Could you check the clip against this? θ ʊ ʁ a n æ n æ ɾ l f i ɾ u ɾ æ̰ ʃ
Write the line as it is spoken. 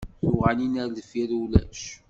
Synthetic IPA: θ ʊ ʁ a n i n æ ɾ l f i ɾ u l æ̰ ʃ

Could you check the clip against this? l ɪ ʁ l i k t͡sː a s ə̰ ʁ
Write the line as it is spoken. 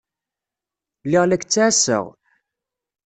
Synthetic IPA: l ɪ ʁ l æ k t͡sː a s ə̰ ʁ

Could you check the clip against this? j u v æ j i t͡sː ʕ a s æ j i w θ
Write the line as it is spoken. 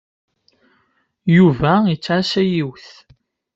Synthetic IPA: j u v æ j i t͡sː ʕ a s æ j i w θ

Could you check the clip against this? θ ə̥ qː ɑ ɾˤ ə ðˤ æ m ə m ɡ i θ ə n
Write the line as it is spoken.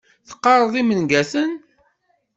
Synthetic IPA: θ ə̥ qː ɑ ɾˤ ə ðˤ i m ə n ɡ æ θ ə n

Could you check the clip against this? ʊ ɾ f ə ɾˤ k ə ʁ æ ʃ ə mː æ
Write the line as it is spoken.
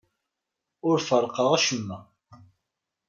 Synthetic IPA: ʊ ɾ f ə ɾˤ q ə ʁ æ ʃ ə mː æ

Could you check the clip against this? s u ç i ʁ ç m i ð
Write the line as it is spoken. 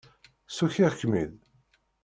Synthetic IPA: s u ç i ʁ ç m i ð

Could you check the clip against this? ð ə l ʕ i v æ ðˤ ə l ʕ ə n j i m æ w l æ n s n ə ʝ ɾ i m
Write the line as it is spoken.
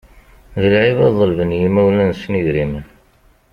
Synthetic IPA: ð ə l ʕ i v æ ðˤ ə l v ə n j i m æ w l æ n s n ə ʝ ɾ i m

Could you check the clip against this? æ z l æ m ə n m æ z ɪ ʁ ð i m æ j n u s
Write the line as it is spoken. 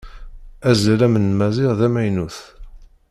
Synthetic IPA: æ z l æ m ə n m æ z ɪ ʁ ð æ m æ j n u θ

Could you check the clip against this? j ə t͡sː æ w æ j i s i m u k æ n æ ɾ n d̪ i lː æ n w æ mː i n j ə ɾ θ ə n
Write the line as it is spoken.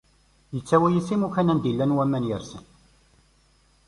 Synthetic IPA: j ə t͡sː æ w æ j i s i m u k æ n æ n d̪ i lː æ n w æ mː æ n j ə ɾ s ə n

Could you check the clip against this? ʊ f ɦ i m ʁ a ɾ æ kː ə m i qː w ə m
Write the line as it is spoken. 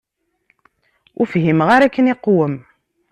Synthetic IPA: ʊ f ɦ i m ʁ a ɾ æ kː ə n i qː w ə m

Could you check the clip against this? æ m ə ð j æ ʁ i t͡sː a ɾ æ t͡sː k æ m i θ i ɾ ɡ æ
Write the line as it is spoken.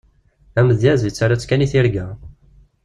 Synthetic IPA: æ m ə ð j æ z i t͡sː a ɾ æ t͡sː k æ n i θ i ɾ ɡ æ

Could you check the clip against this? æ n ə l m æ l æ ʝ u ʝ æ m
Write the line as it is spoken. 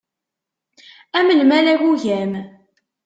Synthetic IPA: æ m ə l m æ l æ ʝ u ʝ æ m

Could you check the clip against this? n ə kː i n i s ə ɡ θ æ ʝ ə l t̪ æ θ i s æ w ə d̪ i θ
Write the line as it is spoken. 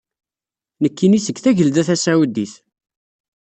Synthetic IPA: n ə kː i n i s ə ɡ θ æ ʝ ə l d̪ æ θ æ s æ w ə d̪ i θ

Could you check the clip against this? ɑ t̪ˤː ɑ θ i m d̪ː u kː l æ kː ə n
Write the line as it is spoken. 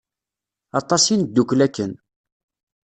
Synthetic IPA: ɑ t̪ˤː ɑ s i n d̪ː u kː l æ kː ə n

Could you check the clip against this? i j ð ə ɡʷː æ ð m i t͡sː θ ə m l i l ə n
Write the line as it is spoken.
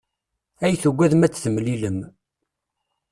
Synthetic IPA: æ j θ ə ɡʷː æ ð m æ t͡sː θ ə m l i l ə m

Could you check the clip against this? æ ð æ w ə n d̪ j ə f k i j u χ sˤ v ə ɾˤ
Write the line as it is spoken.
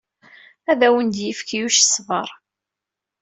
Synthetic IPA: æ ð æ w ə n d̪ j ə f k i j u ʃ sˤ v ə ɾˤ

